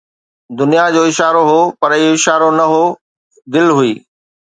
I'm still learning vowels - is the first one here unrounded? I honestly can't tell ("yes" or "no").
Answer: no